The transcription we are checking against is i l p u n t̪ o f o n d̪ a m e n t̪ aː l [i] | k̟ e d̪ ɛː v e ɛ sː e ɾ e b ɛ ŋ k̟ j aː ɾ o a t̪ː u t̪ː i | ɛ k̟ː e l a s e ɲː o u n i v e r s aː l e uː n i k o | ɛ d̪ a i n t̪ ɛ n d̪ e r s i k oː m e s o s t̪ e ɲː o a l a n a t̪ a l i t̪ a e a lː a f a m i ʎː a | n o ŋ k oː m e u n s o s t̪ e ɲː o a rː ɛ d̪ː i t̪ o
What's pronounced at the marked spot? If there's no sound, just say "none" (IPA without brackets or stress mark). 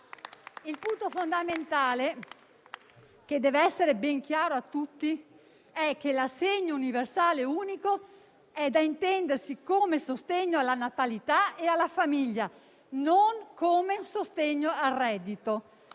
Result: e